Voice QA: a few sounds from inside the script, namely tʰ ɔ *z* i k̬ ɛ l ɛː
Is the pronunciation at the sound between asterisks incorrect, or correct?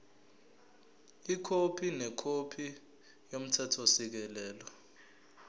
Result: incorrect